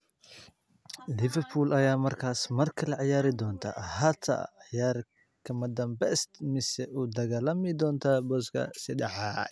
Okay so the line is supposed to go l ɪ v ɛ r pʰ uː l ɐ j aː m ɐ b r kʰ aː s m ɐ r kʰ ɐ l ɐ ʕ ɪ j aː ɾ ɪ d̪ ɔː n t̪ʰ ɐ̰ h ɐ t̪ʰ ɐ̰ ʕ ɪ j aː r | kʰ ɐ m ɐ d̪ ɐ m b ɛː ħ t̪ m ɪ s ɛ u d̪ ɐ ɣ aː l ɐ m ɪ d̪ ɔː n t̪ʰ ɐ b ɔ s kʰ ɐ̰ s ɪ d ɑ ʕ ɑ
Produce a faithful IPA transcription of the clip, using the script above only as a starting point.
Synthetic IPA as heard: l ɪ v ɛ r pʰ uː l ɐ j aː m ɐ r kʰ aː s m ɐ r kʰ ɐ l ɐ ʕ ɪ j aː ɾ ɪ d̪ ɔː n t̪ʰ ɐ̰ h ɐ t̪ʰ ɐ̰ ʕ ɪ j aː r | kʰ ɐ m ɐ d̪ ɐ m b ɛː s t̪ m ɪ s ɛ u d̪ ɐ ɣ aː l ɐ m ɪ d̪ ɔː n t̪ʰ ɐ b ɔ s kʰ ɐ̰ s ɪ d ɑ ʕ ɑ